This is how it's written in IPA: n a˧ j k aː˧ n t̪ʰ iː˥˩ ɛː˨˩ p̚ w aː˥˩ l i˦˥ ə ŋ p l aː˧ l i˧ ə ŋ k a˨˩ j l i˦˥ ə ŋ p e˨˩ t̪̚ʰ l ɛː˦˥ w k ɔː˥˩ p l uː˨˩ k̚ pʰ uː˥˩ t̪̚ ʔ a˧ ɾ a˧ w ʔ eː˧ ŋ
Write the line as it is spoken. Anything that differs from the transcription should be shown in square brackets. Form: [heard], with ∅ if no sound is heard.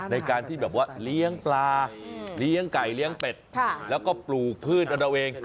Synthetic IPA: n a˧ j k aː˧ n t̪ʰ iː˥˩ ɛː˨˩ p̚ w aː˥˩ l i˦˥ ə ŋ p l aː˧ l [i˦˥] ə ŋ k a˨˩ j l i˦˥ ə ŋ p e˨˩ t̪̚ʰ l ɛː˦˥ w k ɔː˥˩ p l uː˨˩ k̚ pʰ [ɯː˥˩] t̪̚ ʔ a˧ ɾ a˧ w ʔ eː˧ ŋ